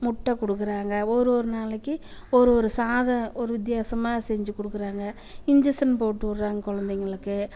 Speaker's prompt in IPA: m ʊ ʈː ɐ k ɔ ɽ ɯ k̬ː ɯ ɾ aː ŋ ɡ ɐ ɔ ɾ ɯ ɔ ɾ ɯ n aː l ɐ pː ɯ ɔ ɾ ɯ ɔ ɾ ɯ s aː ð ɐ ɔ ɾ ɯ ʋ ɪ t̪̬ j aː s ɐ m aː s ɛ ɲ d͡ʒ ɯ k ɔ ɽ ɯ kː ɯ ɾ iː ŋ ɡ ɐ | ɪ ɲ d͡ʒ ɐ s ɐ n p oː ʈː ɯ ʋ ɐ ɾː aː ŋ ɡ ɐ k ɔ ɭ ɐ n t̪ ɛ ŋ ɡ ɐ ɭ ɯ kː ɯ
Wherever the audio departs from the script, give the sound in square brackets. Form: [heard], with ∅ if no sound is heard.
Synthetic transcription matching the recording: m ʊ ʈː ɐ k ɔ ɽ ɯ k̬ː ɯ ɾ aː ŋ ɡ ɐ ɔ ɾ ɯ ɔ ɾ ɯ n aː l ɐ [kː] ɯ ɔ ɾ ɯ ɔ ɾ ɯ s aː ð ɐ ɔ ɾ ɯ ʋ ɪ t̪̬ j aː s ɐ m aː s ɛ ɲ d͡ʒ ɯ k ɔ ɽ ɯ kː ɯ ɾ [aː] ŋ ɡ ɐ | ɪ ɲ d͡ʒ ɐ s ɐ n p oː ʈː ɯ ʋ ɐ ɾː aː ŋ ɡ ɐ k ɔ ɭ ɐ n [d̪] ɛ ŋ ɡ ɐ ɭ ɯ kː ɯ